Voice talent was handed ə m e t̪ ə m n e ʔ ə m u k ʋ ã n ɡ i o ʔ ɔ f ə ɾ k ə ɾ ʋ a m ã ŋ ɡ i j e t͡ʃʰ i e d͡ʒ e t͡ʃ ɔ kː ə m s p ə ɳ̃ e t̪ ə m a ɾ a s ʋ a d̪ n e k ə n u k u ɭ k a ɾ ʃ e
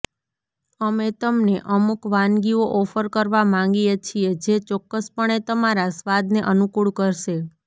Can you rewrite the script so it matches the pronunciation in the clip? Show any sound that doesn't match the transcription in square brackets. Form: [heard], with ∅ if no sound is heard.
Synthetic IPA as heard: ə m e t̪ ə m n e ʔ ə m u k ʋ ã n ɡ i o ʔ ɔ f ə ɾ k ə ɾ ʋ a m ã ŋ ɡ i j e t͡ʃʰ i e d͡ʒ e t͡ʃ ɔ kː ə [∅] s p ə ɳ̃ e t̪ ə m a ɾ a s ʋ a d̪ n e [ʔ] ə n u k u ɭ k [ə] ɾ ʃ e